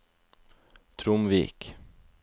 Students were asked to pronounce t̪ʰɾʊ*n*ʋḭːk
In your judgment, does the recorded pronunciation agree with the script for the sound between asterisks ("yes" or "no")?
no